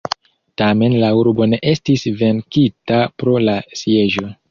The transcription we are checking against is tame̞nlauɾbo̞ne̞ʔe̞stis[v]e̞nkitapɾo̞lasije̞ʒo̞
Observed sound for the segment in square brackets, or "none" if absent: v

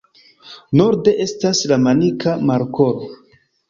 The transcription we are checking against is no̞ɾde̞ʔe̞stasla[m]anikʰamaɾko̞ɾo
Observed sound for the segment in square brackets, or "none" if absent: m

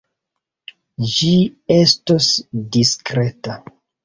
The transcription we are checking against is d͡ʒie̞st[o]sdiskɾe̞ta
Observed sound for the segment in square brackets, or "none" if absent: o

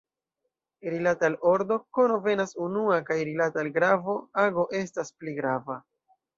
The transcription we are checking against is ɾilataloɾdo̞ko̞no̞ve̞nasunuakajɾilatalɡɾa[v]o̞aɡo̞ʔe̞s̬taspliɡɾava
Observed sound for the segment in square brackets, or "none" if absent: v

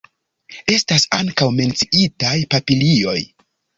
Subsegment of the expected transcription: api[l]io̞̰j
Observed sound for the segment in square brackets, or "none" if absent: l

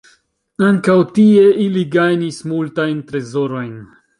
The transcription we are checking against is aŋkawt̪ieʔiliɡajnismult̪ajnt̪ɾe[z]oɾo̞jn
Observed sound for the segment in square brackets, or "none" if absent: z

